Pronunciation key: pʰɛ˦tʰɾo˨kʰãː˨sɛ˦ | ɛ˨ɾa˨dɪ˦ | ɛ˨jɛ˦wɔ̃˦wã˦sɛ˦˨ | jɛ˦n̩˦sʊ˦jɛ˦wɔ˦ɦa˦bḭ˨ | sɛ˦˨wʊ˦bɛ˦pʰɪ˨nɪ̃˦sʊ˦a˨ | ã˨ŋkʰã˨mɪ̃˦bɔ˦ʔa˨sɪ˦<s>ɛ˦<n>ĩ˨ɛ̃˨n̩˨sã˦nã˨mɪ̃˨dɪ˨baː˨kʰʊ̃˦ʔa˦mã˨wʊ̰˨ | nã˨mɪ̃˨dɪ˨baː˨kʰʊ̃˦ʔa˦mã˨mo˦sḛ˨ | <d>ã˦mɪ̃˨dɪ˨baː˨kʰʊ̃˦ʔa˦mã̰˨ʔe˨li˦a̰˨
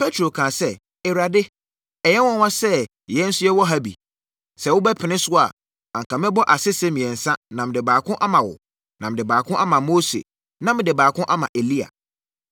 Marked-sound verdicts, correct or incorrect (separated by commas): correct, incorrect, incorrect